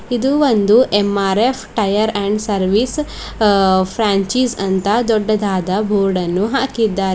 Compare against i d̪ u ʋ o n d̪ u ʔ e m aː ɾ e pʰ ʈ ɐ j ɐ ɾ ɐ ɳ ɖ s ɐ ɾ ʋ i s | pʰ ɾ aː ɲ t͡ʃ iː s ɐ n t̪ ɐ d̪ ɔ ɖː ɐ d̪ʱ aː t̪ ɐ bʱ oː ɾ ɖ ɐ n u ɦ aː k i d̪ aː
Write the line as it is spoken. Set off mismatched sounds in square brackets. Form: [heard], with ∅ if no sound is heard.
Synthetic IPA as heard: i d̪ u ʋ o n d̪ u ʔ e m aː ɾ e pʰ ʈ ɐ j ɐ ɾ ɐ ɳ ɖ s ɐ ɾ ʋ i s | pʰ ɾ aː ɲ t͡ʃ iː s ɐ n t̪ ɐ d̪ ɔ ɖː ɐ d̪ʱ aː [d̪] ɐ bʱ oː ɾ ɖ ɐ [nː] u ɦ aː k i [d̪ː] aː